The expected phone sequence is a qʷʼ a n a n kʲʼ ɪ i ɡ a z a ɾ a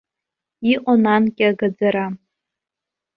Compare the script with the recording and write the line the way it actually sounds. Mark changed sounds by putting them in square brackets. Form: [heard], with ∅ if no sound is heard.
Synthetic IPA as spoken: [i] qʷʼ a n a n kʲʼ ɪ [a] ɡ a [d͡z] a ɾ a